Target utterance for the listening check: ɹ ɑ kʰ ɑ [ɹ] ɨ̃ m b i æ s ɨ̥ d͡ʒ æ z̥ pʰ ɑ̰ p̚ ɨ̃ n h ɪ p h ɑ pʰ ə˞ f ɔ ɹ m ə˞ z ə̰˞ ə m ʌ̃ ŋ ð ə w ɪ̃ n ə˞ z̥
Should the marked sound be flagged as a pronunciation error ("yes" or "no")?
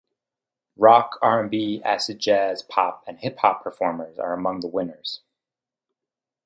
no